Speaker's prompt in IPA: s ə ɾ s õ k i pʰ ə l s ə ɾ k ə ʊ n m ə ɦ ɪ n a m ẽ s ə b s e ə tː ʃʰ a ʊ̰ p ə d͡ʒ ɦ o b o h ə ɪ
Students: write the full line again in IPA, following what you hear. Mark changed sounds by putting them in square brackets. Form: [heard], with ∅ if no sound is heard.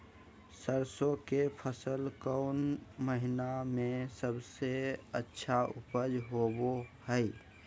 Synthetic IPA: s ə ɾ s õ k [e] pʰ ə [∅] s ə [l] k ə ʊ n m ə ɦ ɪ n a m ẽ s ə b s e ə tː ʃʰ a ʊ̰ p ə d͡ʒ ɦ o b o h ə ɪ